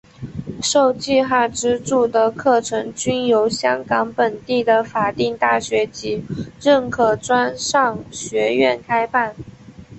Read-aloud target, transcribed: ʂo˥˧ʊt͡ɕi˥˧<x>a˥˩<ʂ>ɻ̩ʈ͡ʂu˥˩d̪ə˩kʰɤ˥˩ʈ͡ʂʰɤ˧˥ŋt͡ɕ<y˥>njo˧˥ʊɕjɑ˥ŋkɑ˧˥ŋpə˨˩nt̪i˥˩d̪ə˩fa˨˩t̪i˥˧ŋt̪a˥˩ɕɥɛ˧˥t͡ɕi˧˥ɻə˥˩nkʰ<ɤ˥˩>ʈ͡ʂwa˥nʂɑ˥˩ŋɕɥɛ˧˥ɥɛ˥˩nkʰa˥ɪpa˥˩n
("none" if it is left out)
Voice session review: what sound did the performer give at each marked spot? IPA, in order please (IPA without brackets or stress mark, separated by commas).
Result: x, ʈ͡ʂ, y˥, ɤ˨˩